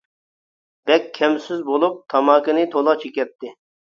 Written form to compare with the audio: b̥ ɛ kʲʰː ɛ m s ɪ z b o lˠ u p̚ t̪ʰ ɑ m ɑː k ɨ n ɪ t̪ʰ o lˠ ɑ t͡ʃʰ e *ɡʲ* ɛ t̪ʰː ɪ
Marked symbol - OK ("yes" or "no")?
no